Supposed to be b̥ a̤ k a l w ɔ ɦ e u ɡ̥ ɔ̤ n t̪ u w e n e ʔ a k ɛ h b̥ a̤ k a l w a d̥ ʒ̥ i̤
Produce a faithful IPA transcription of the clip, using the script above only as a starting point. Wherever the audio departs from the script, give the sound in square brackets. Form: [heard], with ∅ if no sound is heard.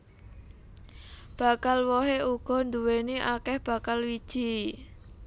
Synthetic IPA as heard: b̥ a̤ k a l w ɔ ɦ e u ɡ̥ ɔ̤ n [d̪] u w e n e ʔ a k ɛ h b̥ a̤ k a l w [i] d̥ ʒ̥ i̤